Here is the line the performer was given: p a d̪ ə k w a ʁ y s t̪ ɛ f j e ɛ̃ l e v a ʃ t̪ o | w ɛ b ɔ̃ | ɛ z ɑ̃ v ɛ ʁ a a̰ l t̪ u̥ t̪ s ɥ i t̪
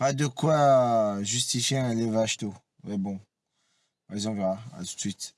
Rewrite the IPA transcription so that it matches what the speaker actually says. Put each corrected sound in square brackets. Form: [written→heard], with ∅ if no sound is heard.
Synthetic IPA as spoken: p a d̪ ə k w a [ʁ→ʒ] y s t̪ [ɛ→i] f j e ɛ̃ l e v a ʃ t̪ o | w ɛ b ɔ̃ | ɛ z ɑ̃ v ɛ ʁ a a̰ [l→∅] t̪ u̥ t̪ s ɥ i t̪